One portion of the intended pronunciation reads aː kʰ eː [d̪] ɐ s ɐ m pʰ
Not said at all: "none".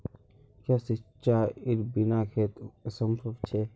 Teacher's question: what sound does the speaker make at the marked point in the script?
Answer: t̪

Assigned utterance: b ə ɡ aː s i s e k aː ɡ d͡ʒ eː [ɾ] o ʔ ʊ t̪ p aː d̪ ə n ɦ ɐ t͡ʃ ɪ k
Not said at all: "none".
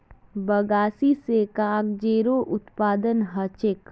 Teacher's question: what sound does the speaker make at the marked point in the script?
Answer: ɾ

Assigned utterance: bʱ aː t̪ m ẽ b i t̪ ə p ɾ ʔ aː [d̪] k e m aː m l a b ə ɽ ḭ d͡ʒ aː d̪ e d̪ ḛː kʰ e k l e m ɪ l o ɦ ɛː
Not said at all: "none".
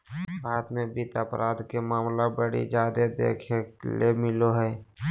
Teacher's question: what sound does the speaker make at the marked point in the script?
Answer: d̪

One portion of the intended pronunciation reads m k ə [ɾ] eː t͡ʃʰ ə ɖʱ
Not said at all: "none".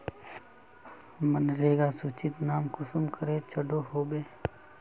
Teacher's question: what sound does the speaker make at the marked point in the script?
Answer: ɾ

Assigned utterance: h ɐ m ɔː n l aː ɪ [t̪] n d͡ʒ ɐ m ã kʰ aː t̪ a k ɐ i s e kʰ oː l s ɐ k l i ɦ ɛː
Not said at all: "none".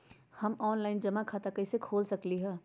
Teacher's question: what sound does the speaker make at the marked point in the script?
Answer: none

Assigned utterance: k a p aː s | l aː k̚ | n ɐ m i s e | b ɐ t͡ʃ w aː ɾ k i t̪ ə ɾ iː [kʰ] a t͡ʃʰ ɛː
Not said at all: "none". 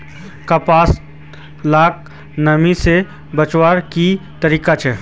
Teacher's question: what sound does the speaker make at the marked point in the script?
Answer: k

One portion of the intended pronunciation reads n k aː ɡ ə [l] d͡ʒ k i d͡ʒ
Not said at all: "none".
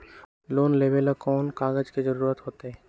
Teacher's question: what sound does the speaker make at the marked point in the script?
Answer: none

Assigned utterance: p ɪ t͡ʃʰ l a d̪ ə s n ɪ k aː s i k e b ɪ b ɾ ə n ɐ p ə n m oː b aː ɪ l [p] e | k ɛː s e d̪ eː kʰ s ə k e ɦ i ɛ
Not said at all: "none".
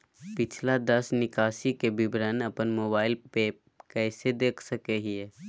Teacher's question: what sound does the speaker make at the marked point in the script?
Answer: p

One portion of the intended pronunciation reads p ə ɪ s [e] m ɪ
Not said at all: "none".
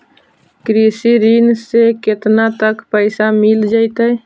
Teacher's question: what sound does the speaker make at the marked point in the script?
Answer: a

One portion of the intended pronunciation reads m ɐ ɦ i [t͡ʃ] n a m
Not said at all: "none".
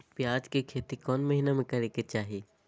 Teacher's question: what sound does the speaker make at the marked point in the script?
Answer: none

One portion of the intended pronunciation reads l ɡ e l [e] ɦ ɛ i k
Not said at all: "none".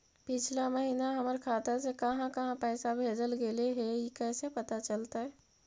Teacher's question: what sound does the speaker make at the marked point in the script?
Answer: e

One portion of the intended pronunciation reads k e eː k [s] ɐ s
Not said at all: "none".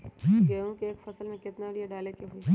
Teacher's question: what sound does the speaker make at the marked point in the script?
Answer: f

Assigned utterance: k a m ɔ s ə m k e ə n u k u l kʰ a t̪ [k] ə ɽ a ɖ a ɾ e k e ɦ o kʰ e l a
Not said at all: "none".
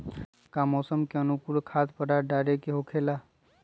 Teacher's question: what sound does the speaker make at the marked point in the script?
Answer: p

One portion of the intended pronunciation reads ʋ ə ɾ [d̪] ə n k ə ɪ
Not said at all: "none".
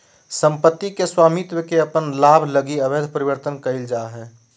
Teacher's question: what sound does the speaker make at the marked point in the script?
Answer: t̪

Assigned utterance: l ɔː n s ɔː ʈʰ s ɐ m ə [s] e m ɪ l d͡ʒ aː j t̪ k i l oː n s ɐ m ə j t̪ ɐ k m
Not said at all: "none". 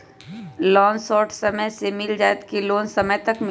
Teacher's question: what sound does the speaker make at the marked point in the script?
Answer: s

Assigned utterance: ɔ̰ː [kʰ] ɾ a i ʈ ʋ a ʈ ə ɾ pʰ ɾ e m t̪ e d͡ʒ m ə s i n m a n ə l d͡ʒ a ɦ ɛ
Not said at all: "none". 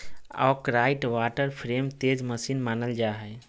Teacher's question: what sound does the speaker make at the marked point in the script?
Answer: k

